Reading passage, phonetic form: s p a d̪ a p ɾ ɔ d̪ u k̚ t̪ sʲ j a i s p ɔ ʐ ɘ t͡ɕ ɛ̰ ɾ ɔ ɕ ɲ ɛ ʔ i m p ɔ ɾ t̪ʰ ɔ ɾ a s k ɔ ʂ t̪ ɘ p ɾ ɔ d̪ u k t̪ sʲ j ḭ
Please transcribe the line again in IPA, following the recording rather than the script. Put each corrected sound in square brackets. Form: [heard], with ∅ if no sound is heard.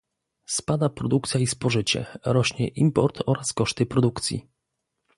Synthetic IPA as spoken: s p a d̪ a p ɾ ɔ d̪ u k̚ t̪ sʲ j a i s p ɔ ʐ ɘ t͡ɕ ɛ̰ ɾ ɔ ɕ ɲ ɛ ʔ i m p ɔ ɾ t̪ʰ ɔ ɾ a s k ɔ ʂ t̪ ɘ p ɾ ɔ d̪ u k t̪ sʲ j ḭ